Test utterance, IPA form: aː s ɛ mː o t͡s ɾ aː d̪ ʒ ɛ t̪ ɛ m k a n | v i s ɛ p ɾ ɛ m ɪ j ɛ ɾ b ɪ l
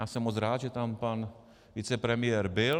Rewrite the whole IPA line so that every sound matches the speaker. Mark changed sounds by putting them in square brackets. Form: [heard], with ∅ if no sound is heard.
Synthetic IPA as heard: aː s ɛ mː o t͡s ɾ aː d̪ ʒ ɛ t̪ [a] m [p] a n | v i [t͡s] ɛ p ɾ ɛ m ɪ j ɛ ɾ b ɪ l

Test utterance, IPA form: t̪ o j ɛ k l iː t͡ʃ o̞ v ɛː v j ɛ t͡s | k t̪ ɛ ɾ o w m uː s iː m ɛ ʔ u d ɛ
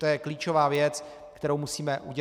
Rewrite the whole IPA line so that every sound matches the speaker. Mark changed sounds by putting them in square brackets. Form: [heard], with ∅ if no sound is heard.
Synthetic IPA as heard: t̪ o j ɛ k l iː t͡ʃ o̞ v [aː] v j ɛ t͡s | k t̪ ɛ ɾ o w m [u] s iː m ɛ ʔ u [ɟ] ɛ

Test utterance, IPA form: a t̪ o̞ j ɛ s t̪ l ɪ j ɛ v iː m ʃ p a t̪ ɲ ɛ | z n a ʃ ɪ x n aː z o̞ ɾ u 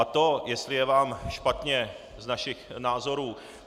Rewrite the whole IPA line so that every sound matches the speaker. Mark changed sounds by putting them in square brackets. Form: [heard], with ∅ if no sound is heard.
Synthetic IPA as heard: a t̪ o̞ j ɛ s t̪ l ɪ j ɛ v [aː] m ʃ p a t̪ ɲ ɛ | z n a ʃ ɪ x n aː z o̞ ɾ [uː]

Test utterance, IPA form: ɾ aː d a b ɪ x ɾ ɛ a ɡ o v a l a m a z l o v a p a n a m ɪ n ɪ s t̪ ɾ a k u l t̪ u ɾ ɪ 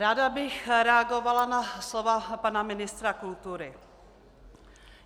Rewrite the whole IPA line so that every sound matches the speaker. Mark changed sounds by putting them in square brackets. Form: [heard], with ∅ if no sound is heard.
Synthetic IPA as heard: ɾ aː d a b ɪ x ɾ ɛ a ɡ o v a l a [n] a [s] l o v a p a n a m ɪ n ɪ s t̪ ɾ a k u l t̪ u ɾ ɪ

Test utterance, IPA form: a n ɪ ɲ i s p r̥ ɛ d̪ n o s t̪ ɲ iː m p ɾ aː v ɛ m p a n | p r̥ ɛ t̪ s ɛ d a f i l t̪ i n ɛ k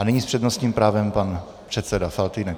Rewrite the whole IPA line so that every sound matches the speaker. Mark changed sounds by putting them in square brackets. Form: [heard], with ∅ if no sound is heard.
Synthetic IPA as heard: a n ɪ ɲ i s p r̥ ɛ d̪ n o s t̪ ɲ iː m p ɾ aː v ɛ m p a n | p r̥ ɛ t̪ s ɛ d a f [a] l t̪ i n ɛ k

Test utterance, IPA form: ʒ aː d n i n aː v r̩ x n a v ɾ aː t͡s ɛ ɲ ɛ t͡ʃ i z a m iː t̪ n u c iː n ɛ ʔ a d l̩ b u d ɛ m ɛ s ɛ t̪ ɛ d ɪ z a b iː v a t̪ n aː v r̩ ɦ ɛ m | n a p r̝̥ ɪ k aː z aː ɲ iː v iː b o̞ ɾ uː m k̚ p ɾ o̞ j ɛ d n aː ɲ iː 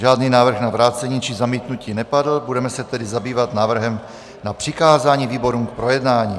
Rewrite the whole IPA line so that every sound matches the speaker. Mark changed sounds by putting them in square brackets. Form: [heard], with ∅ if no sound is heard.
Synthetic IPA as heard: ʒ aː d n i n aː v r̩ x n a v ɾ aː t͡s ɛ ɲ [i] t͡ʃ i z a m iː t̪ n u c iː n ɛ [p] a d l̩ b u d ɛ m ɛ s ɛ t̪ ɛ d ɪ z a b iː v a t̪ n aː v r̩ ɦ ɛ m | n a p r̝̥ ɪ k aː z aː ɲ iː v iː b o̞ ɾ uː m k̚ p ɾ o̞ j ɛ d n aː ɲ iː

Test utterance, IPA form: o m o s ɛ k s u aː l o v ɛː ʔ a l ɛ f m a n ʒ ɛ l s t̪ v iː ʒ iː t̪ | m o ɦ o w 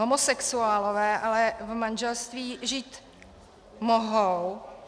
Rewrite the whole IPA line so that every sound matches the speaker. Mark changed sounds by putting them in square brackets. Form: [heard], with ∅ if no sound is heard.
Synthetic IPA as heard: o m o s ɛ k s u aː l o v ɛː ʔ a l ɛ [v] m a n ʒ ɛ l s t̪ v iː ʒ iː t̪ | m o ɦ o w

